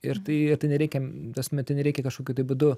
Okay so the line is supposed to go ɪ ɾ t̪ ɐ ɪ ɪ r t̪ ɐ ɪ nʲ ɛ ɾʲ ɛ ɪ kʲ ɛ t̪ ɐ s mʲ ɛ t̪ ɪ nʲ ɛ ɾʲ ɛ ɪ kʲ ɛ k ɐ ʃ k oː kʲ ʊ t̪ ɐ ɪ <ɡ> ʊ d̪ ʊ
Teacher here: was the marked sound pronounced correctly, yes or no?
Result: no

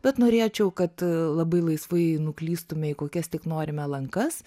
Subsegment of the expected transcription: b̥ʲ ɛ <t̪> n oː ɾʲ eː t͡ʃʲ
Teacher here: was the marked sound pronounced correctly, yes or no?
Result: yes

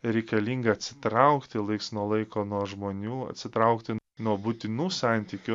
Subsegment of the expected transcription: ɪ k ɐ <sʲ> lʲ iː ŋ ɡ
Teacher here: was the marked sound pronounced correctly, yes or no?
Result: no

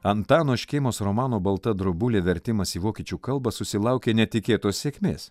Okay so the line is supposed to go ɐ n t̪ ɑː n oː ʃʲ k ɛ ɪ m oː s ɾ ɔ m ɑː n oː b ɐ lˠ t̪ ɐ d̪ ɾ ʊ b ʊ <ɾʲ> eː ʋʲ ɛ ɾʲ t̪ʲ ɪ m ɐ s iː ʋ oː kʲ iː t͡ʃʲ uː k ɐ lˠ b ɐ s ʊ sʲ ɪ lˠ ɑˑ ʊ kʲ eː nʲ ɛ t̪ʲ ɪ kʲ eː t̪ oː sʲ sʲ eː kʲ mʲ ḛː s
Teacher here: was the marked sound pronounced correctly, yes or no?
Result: no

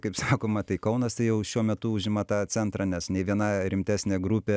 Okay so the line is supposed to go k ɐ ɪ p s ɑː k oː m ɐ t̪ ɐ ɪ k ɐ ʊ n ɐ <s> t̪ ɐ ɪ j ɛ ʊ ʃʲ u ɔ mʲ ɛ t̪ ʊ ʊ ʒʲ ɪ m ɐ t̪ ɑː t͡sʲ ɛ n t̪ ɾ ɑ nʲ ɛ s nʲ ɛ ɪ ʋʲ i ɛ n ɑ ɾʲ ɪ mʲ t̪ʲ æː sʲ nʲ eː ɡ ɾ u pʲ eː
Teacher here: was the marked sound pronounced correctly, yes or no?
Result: yes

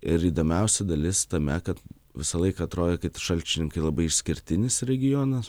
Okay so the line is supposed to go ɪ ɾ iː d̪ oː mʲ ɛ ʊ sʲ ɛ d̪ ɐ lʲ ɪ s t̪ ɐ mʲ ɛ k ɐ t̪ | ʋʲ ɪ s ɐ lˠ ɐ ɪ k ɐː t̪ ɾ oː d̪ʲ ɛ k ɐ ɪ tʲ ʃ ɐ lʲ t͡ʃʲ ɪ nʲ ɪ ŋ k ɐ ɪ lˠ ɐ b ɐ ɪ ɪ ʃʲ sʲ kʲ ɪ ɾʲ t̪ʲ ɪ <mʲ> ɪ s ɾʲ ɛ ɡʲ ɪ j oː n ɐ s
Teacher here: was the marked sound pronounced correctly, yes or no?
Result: no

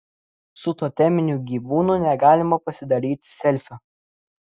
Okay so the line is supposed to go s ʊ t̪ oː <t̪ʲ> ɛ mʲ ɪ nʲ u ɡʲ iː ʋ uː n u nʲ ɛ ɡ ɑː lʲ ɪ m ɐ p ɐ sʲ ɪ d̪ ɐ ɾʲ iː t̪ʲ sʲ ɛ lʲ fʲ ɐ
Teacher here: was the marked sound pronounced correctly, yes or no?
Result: yes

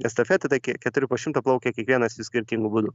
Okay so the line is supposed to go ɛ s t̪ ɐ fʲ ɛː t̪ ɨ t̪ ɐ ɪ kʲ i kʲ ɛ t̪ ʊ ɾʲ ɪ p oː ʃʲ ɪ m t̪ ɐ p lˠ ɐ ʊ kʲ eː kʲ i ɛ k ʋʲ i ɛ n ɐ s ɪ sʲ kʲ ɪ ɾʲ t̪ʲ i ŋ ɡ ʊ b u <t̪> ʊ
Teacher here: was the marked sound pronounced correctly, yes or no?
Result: no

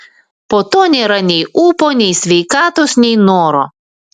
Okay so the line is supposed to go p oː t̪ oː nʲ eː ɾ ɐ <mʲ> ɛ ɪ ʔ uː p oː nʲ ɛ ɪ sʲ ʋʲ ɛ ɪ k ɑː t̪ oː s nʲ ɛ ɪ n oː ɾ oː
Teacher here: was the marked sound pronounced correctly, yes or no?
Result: no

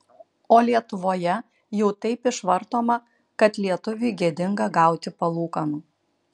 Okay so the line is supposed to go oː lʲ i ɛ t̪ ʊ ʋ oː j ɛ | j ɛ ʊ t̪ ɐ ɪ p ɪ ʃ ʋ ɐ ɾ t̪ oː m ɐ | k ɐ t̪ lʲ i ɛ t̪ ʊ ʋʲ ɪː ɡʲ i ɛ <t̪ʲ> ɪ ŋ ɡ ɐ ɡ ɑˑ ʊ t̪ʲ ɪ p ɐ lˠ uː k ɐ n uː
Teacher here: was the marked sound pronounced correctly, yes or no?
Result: no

